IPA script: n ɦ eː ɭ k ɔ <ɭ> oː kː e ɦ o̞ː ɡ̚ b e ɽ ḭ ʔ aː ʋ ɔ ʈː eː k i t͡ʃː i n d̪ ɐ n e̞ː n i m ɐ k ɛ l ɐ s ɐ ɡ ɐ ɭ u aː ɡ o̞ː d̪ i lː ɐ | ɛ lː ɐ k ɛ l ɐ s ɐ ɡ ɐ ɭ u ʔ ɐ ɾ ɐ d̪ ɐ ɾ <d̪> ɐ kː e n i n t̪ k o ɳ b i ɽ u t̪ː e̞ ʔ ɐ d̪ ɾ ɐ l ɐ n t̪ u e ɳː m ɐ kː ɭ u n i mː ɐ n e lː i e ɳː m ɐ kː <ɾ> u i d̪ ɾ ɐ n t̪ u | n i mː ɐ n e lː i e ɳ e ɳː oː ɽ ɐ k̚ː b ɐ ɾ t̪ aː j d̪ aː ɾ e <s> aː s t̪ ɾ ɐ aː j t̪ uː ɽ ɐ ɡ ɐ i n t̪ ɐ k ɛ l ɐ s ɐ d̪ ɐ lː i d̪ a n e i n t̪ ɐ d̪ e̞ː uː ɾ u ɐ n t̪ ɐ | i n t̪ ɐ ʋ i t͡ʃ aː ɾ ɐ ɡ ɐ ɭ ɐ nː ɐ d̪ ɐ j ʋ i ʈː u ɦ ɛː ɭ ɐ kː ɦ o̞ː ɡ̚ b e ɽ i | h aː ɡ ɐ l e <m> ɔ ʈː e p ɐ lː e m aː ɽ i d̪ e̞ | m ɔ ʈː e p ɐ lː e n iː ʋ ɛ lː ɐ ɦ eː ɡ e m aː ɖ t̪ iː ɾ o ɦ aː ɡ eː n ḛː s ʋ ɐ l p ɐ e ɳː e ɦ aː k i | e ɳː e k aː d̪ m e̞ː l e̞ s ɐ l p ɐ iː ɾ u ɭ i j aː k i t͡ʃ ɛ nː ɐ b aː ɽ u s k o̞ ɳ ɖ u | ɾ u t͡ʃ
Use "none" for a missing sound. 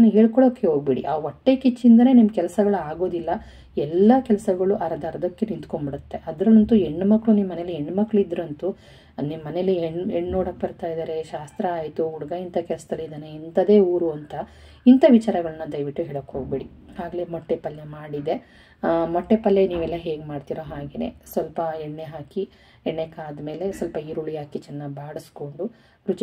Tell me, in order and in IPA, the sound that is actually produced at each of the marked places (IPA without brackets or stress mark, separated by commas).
ɭ, d̪, ɭ, ʃ, m